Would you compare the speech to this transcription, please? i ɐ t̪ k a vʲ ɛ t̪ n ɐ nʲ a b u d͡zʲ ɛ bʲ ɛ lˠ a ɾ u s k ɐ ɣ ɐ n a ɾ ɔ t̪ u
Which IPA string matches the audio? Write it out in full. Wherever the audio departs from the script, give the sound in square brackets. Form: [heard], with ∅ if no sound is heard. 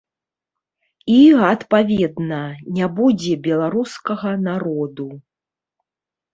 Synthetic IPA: i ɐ t̪ [p] a vʲ ɛ [d̪] n ɐ nʲ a b u d͡zʲ ɛ bʲ ɛ lˠ a ɾ u s k ɐ ɣ ɐ n a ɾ ɔ [d̪] u

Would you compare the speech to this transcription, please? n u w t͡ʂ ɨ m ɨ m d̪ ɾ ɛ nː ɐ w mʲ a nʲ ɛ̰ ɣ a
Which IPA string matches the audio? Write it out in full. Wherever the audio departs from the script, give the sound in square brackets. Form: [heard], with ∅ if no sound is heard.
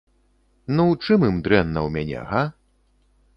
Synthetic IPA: n u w t͡ʂ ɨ m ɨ m d̪ ɾ ɛ nː ɐ w mʲ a nʲ ɛ̰ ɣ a

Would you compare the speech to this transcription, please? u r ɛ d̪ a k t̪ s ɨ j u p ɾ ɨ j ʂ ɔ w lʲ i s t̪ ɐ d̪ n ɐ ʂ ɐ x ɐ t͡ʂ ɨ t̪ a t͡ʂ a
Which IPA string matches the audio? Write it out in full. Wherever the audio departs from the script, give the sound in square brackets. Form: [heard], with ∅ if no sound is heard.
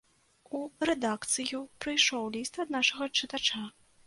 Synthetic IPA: u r ɛ d̪ a k t̪ s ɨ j u p ɾ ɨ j ʂ ɔ w lʲ i s t̪ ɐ d̪ n [a] ʂ ɐ [ɣ] ɐ t͡ʂ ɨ t̪ a t͡ʂ a

